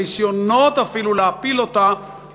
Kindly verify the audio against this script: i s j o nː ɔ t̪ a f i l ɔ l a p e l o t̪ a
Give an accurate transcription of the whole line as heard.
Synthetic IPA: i s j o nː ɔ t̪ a f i l u l a p i l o t̪ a